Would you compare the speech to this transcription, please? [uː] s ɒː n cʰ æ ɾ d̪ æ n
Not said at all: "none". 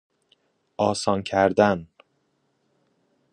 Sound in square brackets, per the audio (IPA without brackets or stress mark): ɒː